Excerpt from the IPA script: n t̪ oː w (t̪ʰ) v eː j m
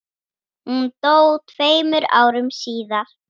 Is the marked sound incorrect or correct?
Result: correct